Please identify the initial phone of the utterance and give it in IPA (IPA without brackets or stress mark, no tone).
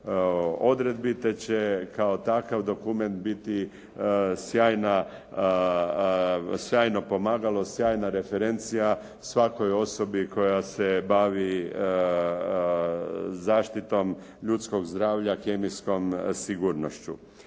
o̞